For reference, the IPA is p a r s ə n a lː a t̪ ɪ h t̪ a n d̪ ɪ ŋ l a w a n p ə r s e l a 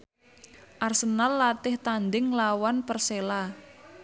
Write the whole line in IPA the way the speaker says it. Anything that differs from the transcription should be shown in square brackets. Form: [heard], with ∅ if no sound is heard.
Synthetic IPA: [ʔ] a r s ə n a lː a t̪ ɪ h t̪ a n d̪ ɪ ŋ l a w a n p ə r s e l a